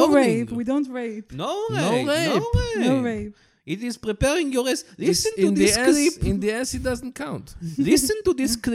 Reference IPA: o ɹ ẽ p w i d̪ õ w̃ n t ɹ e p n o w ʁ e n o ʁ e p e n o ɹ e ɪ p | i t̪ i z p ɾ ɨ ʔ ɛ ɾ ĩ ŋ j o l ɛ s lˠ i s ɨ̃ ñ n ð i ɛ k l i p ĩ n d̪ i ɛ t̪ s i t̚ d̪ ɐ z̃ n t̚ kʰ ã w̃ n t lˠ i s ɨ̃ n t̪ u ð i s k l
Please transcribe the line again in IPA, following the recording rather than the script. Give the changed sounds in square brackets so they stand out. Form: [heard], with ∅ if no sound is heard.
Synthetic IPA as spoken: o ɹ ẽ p w i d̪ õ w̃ n t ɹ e p n o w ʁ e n o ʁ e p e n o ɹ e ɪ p | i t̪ i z p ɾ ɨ [p] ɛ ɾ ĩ ŋ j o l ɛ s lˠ i s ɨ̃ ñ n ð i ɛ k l i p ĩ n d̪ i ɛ [∅] s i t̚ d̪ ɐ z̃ n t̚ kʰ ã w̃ n t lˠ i s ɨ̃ n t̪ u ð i s k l